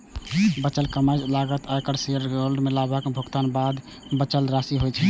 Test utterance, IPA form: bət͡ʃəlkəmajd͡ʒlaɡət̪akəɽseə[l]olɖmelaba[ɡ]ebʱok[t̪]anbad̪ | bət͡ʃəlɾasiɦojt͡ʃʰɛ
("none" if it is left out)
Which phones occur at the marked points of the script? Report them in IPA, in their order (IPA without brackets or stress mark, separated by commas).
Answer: ɾ, k, t̪